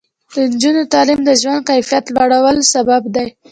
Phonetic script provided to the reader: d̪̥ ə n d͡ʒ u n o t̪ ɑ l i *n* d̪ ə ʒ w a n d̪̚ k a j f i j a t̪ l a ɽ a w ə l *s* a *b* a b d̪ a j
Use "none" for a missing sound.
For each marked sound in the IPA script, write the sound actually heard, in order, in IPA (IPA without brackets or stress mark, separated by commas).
m, s, b